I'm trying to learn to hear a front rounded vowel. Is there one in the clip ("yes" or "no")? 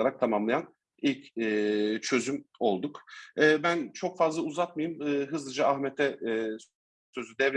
yes